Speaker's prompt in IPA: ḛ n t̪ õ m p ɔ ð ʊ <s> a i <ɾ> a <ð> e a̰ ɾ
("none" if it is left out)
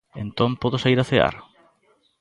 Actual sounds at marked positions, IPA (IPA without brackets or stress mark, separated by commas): s, ɾ, θ